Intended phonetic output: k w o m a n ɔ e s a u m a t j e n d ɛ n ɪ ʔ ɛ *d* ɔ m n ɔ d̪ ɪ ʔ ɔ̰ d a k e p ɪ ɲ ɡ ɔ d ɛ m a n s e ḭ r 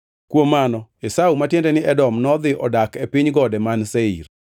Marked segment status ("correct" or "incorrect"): correct